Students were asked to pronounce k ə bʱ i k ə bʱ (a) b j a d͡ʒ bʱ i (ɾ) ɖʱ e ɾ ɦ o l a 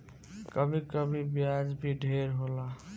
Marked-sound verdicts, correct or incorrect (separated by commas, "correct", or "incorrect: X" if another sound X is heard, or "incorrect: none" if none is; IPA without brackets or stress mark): incorrect: i, incorrect: none